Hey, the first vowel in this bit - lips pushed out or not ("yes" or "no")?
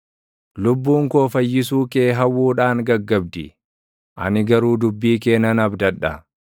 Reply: yes